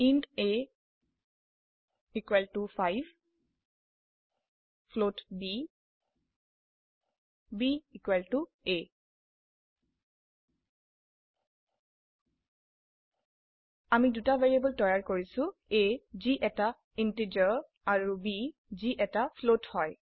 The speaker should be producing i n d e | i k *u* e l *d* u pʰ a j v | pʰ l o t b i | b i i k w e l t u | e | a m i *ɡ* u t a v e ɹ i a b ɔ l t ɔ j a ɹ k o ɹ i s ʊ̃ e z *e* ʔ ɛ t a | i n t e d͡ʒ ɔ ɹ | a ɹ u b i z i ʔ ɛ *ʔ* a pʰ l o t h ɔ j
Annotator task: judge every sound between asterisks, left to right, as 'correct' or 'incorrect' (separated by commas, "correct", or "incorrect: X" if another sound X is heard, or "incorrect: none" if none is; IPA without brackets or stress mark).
incorrect: w, incorrect: t, incorrect: d, incorrect: i, incorrect: t